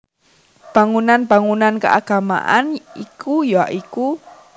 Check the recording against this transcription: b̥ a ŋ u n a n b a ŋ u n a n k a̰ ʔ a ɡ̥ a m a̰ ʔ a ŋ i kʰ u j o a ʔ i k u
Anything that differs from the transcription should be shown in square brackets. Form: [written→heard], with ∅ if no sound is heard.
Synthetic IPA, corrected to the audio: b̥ a ŋ u n a n b a ŋ u n a n k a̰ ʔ a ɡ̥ a m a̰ ʔ a [ŋ→n] i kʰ u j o a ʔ i k u